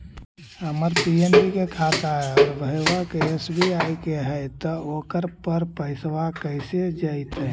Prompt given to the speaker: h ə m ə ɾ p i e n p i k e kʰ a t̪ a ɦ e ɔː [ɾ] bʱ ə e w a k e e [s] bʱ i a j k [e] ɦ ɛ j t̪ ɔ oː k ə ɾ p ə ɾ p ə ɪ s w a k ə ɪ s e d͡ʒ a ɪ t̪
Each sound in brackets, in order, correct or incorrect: correct, correct, correct

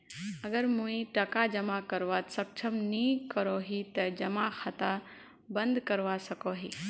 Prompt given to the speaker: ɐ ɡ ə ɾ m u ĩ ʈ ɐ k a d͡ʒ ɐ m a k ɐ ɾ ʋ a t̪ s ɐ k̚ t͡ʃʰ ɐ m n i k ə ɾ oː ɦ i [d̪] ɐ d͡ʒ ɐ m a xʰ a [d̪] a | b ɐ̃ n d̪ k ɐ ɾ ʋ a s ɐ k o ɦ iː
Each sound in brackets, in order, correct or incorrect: incorrect: t̪, incorrect: t̪

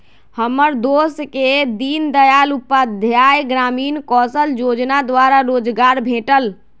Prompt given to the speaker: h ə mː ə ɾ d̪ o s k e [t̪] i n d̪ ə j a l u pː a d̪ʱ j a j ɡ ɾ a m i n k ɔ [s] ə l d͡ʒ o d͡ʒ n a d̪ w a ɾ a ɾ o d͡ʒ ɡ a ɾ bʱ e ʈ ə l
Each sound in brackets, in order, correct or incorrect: incorrect: d̪, correct

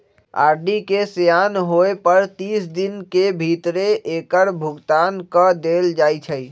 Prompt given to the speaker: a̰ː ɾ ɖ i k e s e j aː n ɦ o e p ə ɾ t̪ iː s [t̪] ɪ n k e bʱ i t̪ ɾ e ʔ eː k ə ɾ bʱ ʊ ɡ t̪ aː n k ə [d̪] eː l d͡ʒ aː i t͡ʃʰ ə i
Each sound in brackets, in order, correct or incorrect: incorrect: d̪, correct

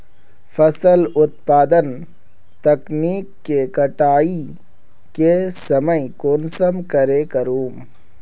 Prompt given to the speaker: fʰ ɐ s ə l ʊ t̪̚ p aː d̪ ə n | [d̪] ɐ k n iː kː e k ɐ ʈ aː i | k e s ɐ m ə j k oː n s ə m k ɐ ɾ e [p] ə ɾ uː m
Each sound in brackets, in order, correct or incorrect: incorrect: t̪, incorrect: k

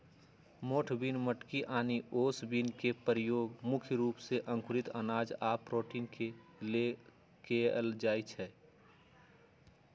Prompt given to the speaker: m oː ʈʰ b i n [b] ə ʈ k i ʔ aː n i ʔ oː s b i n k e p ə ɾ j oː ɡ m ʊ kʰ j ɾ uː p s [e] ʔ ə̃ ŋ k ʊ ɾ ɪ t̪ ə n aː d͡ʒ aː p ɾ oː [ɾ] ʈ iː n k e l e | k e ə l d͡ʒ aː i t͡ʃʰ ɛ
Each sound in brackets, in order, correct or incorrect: incorrect: m, correct, incorrect: none

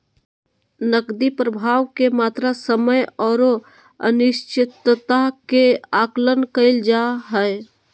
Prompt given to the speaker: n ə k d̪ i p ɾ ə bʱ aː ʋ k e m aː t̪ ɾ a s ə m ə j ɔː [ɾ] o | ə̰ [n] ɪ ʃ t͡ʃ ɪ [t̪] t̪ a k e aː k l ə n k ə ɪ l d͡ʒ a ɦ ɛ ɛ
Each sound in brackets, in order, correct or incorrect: correct, correct, correct

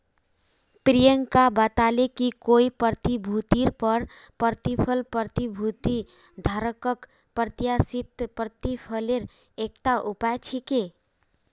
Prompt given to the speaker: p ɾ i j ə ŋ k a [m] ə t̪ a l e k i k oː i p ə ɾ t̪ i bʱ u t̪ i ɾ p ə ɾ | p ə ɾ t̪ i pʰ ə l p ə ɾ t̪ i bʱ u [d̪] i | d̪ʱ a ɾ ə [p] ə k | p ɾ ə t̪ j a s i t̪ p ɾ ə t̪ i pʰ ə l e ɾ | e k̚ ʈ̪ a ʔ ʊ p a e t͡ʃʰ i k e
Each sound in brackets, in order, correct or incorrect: incorrect: b, incorrect: t̪, incorrect: k

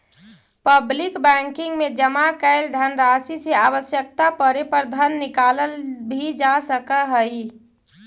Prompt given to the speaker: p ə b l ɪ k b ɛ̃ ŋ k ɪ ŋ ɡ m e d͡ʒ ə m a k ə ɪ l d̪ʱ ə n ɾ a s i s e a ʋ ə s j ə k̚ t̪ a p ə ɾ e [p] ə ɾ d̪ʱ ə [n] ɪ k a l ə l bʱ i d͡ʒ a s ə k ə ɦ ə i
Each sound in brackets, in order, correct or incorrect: correct, incorrect: nː

